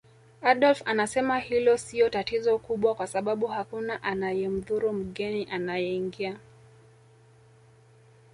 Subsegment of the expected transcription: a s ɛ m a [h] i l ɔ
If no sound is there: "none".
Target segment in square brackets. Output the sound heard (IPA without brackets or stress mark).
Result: h